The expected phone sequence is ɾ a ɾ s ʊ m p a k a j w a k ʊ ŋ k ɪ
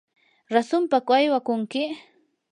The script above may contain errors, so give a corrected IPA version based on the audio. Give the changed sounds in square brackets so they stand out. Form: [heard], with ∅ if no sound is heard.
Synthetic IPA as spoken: ɾ a [∅] s ʊ m p a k a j w a k ʊ ŋ k ɪ